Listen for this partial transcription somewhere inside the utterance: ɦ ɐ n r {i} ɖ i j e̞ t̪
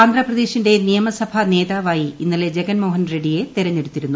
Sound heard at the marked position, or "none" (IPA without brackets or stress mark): e